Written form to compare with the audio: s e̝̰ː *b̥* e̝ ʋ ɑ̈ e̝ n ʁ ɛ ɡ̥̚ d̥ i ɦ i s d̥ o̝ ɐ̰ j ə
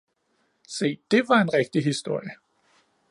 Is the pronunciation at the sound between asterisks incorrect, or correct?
incorrect